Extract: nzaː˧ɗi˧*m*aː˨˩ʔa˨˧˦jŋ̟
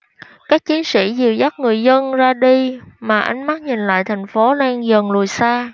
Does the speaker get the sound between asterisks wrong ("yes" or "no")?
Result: no